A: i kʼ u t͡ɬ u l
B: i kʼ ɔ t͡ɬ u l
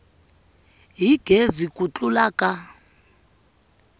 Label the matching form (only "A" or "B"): A